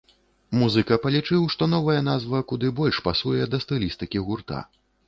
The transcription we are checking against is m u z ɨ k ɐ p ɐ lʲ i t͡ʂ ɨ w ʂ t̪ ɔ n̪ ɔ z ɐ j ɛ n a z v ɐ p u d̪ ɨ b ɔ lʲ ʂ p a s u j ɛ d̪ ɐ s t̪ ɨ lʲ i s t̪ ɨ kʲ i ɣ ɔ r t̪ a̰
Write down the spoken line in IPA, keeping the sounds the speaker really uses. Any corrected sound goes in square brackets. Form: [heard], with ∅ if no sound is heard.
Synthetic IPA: m u z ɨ k ɐ p ɐ lʲ i t͡ʂ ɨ w ʂ t̪ ɔ n̪ ɔ [v] ɐ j ɛ n a z v ɐ [k] u d̪ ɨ b ɔ lʲ ʂ p a s u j ɛ d̪ ɐ s t̪ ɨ lʲ i s t̪ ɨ kʲ i ɣ [u] r t̪ a̰